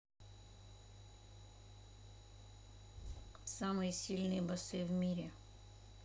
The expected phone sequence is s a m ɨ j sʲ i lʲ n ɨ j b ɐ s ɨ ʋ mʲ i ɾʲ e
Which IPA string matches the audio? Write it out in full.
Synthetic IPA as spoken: s a m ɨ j sʲ i lʲ n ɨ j b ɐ s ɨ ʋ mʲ i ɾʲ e